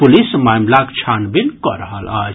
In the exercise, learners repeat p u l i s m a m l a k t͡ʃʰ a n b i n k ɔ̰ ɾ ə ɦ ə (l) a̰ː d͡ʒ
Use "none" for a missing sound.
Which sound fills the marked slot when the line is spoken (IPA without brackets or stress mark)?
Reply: l